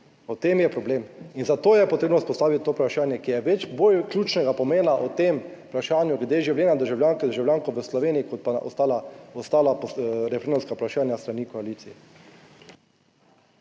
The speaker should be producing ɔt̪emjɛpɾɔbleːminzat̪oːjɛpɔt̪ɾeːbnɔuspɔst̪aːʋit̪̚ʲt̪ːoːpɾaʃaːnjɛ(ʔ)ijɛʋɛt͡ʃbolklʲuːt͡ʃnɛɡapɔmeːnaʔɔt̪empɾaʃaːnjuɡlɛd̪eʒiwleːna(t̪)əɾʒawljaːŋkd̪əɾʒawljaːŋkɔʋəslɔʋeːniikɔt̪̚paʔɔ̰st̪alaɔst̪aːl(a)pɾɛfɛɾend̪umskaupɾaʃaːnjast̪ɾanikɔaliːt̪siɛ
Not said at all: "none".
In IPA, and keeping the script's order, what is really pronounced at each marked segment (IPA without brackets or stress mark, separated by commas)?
k, d̪, a